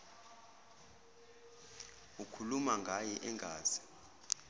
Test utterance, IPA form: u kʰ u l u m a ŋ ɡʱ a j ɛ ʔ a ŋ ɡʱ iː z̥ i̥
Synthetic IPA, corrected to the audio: u kʰ u l u m a ŋ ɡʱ a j ɛ ʔ ɛ ŋ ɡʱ aː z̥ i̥